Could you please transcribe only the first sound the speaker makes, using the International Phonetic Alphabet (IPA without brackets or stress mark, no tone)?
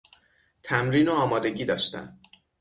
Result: t̪ʰ